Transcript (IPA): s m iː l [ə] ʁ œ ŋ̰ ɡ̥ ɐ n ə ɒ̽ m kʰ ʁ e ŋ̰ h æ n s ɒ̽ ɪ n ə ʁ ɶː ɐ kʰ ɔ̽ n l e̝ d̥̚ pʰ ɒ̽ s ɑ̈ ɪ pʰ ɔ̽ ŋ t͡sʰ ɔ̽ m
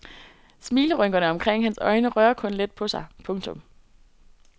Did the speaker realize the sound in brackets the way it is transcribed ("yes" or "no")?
yes